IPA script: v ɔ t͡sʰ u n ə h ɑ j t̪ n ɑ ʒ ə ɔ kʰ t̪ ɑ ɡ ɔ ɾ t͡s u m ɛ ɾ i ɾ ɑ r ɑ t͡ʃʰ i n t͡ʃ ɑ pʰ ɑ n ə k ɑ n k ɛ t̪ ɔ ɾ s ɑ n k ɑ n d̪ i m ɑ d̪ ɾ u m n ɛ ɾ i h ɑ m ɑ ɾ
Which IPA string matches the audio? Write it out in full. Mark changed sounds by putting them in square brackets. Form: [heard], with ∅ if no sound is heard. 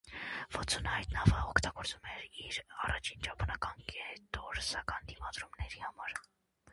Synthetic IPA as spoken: v ɔ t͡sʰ u n ə h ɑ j t̪ n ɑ [v] ə ɔ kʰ t̪ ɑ ɡ ɔ ɾ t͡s u m ɛ ɾ i ɾ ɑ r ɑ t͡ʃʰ i n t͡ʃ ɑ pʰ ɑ n [ɑ] k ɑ n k ɛ t̪ ɔ ɾ s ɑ [∅] k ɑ n d̪ i m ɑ d̪ ɾ u m n ɛ ɾ i h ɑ m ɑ ɾ